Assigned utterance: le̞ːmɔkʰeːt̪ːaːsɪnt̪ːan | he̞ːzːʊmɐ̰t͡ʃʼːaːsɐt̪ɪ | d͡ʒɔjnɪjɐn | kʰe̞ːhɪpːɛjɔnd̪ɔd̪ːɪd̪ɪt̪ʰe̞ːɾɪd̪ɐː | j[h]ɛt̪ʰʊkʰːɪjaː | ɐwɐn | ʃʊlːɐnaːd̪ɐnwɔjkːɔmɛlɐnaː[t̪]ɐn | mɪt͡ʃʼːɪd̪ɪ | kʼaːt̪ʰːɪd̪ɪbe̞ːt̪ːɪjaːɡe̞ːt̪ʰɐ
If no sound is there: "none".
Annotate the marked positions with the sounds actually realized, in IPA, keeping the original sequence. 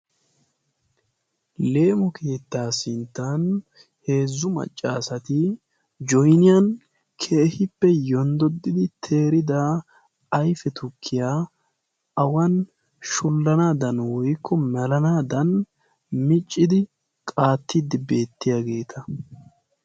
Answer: f, d̪

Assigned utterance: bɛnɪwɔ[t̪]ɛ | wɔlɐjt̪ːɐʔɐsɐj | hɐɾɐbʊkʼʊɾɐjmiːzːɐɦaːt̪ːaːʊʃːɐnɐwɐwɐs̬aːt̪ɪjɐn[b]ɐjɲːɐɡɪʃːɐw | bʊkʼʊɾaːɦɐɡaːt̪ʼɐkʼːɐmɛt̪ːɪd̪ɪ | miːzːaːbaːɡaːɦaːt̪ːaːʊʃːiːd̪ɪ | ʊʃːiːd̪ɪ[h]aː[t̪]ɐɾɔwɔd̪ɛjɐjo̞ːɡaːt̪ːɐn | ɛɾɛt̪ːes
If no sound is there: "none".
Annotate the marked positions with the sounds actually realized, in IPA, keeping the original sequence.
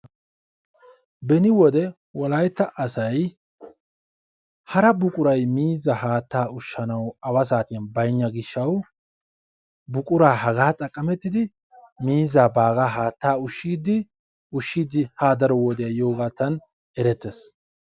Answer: d̪, b, h, d̪

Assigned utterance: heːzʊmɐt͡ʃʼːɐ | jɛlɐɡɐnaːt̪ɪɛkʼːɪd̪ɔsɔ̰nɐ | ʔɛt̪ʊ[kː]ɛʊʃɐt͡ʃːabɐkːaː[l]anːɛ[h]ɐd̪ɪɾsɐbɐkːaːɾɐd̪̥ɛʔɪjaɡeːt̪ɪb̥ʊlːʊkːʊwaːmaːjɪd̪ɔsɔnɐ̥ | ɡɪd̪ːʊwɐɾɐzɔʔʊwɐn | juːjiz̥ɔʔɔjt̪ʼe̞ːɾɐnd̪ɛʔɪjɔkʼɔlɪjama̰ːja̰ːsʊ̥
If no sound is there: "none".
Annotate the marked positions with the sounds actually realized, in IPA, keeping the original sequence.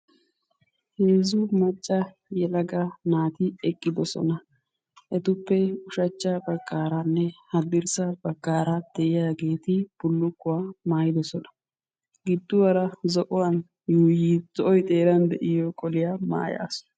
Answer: pː, ɾ, h

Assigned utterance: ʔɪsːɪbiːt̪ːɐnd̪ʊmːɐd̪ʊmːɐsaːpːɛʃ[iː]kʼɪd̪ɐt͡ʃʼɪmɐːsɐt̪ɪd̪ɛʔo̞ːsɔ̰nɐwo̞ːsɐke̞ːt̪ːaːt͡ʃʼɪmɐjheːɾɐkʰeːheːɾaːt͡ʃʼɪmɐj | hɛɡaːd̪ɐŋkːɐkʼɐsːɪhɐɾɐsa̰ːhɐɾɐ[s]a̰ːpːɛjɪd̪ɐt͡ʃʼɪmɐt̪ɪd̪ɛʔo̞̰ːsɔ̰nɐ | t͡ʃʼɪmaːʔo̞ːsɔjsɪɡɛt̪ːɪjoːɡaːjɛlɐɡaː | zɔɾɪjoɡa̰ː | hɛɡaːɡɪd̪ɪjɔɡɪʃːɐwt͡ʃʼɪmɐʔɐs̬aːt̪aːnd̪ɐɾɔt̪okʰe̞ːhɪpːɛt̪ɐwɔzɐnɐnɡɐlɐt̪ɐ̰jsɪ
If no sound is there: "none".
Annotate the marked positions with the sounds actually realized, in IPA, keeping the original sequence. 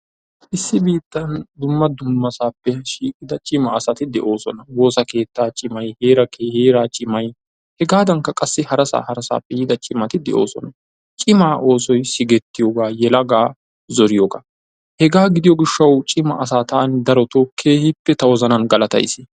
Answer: iː, s

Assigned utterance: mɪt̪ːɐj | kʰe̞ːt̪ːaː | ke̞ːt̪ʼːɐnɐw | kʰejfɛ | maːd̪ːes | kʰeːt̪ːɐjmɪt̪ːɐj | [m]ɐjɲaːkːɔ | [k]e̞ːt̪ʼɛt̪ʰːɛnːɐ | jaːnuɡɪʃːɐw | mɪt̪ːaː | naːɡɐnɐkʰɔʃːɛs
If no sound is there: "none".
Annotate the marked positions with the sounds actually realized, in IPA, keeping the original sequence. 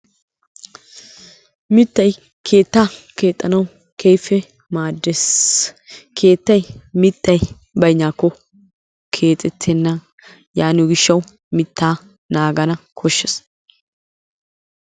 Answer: b, kʰ

